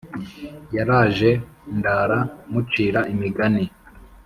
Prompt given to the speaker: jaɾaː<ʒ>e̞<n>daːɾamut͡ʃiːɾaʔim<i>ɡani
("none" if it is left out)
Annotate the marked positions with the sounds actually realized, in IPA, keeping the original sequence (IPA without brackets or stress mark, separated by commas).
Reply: ʒ, n, i